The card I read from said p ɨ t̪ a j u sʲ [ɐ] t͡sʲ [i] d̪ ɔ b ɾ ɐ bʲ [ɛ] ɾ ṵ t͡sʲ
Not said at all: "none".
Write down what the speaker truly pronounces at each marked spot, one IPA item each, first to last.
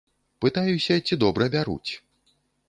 ɐ, i, a

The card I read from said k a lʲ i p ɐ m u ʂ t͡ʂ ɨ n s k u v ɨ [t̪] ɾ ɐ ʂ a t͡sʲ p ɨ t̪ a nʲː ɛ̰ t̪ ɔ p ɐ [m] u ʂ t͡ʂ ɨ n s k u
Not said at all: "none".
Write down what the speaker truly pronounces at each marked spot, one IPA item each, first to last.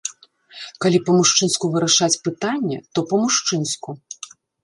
none, m

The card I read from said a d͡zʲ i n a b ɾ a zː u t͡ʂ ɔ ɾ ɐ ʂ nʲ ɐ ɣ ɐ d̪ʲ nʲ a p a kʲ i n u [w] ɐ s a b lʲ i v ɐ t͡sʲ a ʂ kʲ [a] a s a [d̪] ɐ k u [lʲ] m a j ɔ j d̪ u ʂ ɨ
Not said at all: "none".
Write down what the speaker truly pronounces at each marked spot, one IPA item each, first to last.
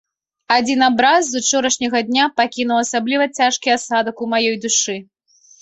w, i, d̪, none

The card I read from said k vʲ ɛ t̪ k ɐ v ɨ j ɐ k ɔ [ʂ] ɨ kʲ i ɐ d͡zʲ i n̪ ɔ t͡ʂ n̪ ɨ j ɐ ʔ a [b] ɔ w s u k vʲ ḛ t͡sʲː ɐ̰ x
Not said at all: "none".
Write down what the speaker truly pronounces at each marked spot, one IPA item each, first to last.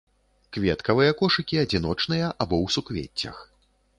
ʂ, b

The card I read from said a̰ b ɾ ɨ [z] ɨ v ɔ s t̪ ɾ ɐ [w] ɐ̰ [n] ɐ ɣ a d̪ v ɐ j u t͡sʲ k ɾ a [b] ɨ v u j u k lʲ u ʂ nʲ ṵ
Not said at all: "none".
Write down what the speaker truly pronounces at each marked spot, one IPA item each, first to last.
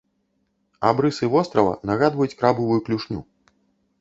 s, v, n, b

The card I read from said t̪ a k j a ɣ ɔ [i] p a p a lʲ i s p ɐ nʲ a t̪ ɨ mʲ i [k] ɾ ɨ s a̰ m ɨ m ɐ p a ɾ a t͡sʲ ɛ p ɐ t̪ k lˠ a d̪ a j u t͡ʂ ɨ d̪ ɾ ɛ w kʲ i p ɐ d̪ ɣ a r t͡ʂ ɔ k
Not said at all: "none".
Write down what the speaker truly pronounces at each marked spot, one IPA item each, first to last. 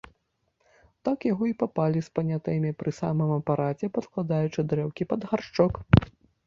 i, p

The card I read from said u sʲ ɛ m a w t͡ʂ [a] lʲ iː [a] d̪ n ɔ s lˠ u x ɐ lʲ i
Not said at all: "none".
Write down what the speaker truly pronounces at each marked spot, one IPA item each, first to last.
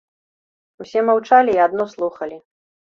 a, a

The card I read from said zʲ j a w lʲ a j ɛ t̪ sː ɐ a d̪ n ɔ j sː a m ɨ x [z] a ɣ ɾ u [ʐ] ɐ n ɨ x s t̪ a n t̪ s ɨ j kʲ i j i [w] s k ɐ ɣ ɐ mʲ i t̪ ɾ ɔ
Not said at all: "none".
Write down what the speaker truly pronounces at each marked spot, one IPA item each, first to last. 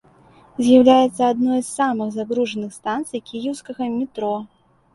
z, ʐ, w

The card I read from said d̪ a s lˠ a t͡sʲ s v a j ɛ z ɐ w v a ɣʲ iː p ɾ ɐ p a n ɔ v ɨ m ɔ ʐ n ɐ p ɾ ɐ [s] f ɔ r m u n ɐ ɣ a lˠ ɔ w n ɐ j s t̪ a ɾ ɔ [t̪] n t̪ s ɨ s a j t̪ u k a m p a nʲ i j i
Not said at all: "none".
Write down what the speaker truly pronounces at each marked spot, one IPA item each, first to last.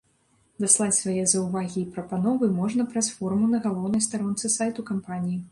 s, none

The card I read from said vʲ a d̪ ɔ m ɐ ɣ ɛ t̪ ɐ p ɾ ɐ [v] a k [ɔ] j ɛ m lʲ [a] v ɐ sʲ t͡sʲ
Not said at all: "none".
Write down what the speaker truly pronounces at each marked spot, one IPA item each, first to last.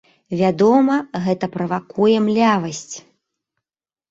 v, u, a

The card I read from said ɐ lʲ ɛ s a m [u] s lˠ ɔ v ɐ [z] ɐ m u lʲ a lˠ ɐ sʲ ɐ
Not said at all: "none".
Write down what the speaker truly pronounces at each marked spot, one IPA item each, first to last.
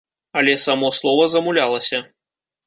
ɔ, z

